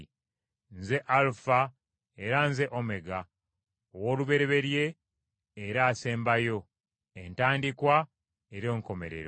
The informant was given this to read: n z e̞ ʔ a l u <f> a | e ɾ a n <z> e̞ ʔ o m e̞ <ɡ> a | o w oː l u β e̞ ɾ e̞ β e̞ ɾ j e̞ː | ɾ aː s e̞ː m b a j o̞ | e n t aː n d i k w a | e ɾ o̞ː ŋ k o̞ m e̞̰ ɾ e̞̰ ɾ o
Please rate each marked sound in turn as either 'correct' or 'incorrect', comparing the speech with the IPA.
correct, correct, correct

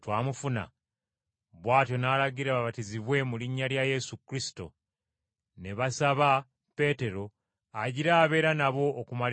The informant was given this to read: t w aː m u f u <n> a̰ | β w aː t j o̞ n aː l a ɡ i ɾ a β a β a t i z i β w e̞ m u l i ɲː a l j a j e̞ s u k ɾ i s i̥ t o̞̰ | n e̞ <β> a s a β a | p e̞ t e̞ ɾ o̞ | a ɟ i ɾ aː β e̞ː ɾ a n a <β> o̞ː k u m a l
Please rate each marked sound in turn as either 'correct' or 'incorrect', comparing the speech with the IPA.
correct, correct, correct

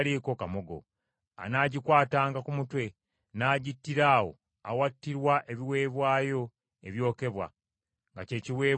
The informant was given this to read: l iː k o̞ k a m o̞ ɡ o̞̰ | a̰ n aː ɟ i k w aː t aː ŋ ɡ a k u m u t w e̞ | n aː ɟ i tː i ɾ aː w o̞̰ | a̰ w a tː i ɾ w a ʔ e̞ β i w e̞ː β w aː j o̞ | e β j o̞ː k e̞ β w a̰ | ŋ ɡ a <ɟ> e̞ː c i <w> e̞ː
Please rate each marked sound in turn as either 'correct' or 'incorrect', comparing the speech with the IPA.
incorrect: c, correct

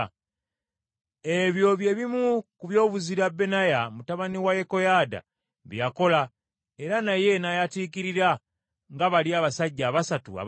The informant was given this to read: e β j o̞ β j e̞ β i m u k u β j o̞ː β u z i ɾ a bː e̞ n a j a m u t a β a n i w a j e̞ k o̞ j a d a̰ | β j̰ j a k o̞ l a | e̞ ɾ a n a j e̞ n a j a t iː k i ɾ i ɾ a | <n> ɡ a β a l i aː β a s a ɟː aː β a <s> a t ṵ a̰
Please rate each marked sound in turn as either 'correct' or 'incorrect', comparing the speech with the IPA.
incorrect: ŋ, correct

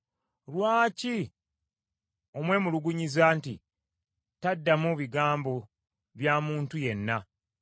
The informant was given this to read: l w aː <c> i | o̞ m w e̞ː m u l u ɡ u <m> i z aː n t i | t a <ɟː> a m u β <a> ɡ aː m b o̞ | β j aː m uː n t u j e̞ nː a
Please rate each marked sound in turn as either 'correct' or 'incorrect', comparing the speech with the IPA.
correct, incorrect: ɲ, incorrect: dː, incorrect: i

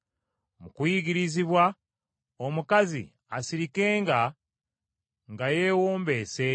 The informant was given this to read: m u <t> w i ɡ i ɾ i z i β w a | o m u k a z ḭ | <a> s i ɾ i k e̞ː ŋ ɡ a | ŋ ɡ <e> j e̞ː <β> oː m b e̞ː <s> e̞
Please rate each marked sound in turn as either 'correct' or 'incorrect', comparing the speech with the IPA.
incorrect: k, correct, incorrect: a, incorrect: w, correct

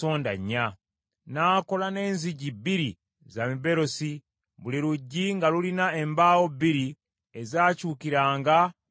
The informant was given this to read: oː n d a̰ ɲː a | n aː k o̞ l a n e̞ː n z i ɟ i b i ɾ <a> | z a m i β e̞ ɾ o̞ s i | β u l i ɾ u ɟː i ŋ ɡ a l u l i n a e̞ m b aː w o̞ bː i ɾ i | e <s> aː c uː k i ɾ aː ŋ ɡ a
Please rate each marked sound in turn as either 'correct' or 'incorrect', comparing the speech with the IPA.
incorrect: i, incorrect: z

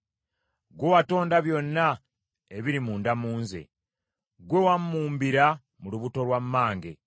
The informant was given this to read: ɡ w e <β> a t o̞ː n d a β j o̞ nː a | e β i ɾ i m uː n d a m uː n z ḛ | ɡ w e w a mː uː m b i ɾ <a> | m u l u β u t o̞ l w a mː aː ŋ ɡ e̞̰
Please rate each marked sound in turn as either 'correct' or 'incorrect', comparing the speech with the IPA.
incorrect: w, correct

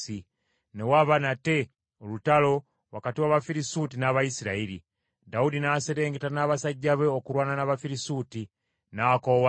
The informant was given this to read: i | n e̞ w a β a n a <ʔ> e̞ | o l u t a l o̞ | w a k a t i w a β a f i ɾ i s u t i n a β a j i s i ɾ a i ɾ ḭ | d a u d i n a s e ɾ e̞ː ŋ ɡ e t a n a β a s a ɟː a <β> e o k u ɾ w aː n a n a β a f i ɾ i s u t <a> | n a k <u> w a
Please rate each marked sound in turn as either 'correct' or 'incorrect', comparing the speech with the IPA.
incorrect: t, correct, incorrect: i, incorrect: o

